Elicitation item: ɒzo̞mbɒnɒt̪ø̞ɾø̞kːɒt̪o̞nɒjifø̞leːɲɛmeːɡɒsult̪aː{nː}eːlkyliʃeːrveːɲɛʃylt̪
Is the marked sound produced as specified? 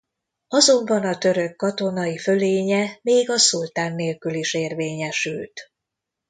yes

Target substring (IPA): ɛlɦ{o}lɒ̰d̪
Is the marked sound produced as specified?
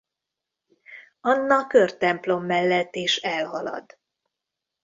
no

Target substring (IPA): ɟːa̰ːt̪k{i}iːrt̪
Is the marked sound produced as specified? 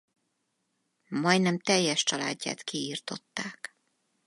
yes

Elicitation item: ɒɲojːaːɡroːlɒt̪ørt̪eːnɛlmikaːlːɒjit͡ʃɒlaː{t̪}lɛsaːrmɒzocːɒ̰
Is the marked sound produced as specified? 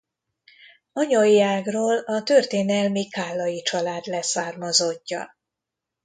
no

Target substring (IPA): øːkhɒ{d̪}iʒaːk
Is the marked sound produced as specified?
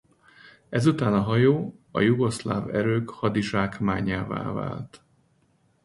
yes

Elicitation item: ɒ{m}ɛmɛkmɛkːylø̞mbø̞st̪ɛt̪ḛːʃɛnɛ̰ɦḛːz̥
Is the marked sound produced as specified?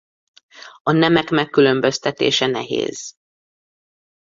no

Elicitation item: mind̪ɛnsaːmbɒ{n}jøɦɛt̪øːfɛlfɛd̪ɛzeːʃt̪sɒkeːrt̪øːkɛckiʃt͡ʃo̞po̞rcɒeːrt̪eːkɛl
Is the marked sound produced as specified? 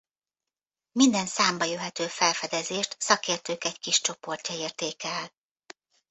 no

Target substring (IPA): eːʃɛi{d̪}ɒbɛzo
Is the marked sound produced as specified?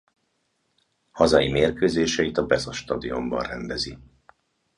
no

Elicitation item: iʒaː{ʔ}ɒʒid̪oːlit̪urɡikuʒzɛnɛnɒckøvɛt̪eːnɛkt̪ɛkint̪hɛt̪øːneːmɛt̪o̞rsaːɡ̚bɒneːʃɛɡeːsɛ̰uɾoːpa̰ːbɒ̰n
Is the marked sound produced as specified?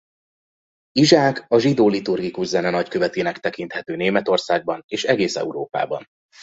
no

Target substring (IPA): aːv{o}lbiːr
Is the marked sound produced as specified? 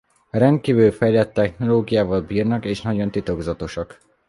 no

